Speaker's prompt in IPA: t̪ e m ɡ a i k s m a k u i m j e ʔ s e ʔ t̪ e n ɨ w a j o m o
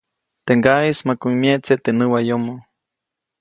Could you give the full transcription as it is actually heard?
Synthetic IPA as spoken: t̪ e ŋ ɡ a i s m a k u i m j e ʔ t͡s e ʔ t̪ e n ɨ w a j o m o